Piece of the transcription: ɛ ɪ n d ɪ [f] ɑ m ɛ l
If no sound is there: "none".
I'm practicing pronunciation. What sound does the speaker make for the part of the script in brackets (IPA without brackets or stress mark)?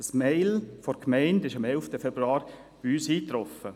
ʃ